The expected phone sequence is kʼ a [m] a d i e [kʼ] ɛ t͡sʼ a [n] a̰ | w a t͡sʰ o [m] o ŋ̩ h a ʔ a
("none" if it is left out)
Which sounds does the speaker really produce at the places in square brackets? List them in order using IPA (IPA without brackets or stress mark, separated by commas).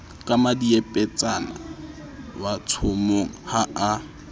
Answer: m, pʼ, n, m